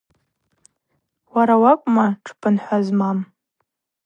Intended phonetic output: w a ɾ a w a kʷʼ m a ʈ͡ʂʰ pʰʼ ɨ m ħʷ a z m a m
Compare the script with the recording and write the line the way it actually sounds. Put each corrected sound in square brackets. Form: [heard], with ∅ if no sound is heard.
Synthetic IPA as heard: w a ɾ a w a kʷʼ m a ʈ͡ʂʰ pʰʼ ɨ [n] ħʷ a z m a m